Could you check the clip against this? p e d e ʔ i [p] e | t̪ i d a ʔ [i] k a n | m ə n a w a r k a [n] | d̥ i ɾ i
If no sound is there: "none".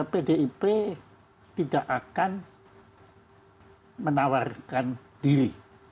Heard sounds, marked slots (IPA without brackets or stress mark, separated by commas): p, a, n